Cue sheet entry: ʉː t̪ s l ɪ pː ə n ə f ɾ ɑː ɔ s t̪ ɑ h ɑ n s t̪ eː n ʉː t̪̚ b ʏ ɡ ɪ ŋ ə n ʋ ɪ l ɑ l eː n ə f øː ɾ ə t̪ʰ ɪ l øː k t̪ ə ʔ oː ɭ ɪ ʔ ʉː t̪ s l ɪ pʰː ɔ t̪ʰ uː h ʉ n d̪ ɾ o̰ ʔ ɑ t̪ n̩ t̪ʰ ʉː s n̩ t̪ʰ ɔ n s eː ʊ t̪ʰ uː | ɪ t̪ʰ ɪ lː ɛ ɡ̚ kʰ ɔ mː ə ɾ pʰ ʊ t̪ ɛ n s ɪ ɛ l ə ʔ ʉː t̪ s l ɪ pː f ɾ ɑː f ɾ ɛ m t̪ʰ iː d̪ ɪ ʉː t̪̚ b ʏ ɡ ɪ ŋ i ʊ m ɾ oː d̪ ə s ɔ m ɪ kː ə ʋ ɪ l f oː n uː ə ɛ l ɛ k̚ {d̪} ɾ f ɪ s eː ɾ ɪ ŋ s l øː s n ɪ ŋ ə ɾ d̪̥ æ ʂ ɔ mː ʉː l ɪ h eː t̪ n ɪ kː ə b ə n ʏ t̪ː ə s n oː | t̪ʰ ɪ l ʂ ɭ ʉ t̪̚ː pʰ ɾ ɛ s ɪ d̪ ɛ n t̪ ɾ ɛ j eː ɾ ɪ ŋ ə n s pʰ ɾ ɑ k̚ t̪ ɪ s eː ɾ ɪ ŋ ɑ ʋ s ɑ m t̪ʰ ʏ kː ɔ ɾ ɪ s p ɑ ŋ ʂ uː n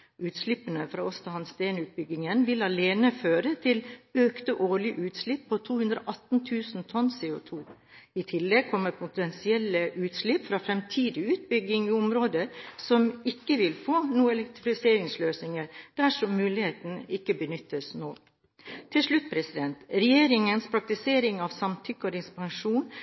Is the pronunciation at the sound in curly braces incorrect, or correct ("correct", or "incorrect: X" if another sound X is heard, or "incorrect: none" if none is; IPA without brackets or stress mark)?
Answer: incorrect: t̪